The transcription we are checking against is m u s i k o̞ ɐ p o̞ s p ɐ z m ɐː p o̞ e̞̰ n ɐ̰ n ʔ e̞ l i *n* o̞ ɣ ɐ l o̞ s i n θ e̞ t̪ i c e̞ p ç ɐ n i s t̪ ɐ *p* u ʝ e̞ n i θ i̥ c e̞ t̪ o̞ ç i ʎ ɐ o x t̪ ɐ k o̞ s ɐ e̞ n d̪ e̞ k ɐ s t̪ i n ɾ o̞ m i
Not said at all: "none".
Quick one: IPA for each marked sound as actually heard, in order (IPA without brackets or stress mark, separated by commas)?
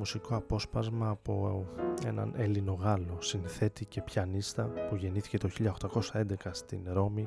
n, p